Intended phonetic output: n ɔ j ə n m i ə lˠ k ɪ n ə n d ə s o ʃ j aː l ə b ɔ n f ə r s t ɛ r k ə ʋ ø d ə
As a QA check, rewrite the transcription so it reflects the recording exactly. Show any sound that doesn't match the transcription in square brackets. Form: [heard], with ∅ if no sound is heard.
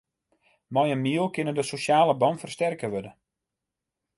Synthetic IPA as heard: [m] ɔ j ə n m i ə lˠ k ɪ n ə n d ə s o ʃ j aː l ə b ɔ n f ə r s t ɛ r k ə ʋ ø d ə